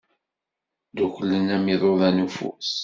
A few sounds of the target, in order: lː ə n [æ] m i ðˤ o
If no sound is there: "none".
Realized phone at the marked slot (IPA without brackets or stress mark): æ